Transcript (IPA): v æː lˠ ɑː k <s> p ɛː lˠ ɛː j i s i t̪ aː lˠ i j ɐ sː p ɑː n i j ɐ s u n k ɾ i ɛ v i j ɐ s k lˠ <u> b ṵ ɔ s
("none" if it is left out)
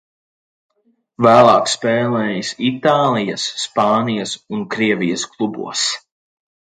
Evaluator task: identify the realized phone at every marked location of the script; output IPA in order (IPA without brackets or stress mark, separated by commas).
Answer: s, u